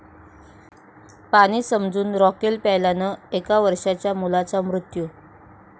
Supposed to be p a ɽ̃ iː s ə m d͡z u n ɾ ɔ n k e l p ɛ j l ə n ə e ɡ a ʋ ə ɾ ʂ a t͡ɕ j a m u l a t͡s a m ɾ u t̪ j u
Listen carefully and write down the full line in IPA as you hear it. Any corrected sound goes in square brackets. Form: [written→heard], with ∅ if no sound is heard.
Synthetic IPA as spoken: p a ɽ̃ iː s ə m d͡z [u→uː] n ɾ ɔ [n→∅] k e l p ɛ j l [ə→a] n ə e [ɡ→k] a ʋ ə ɾ ʂ a t͡ɕ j a m u l a t͡s a m ɾ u t̪ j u